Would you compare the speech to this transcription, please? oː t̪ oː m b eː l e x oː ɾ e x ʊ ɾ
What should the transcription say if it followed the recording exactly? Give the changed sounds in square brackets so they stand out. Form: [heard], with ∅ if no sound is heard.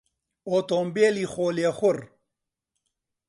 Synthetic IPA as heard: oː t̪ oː m b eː l [i] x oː [l] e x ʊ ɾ